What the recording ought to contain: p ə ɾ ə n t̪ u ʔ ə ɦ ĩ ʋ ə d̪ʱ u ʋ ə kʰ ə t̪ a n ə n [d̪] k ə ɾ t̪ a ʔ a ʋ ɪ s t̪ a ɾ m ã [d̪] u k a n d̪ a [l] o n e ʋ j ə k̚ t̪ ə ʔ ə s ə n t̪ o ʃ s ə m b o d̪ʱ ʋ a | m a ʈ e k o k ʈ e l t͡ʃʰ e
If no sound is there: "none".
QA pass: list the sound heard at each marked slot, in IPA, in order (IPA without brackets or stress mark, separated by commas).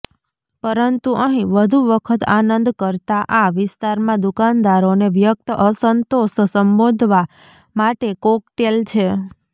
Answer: d̪, d̪, ɾ